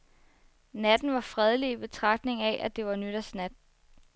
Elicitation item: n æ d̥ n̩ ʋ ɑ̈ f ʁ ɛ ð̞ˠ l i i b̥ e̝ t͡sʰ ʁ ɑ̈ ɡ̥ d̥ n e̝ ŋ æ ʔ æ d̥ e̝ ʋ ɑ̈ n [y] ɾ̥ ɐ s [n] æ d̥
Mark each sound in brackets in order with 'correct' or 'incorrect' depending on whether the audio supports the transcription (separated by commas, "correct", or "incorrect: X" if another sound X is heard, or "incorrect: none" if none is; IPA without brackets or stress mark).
correct, correct